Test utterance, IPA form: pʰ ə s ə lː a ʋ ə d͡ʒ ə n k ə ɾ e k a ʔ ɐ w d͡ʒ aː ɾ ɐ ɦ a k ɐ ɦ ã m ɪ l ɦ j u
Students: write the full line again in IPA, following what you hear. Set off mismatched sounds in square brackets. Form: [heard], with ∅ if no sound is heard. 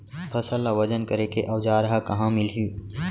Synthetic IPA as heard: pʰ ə s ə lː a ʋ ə d͡ʒ ə n k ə ɾ e k [e] ʔ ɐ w d͡ʒ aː ɾ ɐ ɦ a k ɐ ɦ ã m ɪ l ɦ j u